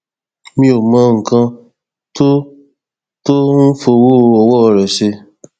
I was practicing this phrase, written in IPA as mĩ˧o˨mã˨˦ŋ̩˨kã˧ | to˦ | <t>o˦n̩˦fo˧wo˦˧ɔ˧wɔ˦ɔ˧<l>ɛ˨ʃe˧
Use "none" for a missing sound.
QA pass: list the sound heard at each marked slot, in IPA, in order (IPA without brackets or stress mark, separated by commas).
t, ɾ